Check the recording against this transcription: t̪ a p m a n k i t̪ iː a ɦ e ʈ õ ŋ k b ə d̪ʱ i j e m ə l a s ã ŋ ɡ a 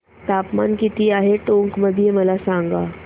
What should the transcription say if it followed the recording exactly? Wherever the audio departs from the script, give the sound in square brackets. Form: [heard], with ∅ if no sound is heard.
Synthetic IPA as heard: t̪ a p m a n k i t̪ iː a ɦ e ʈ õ ŋ k [m] ə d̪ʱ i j e m ə l a s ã ŋ ɡ a